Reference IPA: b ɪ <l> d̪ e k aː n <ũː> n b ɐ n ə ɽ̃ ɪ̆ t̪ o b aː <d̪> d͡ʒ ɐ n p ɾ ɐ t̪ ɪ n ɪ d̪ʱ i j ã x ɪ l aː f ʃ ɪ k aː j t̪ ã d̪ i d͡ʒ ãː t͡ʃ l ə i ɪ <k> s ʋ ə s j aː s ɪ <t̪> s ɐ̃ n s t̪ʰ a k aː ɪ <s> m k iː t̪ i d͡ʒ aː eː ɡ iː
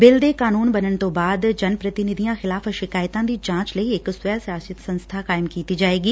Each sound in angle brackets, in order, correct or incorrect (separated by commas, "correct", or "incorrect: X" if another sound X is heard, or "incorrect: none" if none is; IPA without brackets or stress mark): correct, incorrect: uː, correct, correct, correct, incorrect: none